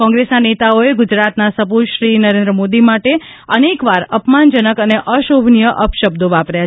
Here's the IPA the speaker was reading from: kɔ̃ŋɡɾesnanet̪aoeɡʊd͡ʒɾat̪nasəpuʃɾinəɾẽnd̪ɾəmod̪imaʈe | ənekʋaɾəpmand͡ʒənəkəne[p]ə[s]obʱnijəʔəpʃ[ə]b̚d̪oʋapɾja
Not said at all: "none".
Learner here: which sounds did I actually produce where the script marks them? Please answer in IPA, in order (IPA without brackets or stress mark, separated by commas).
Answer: ʔ, ʃ, ə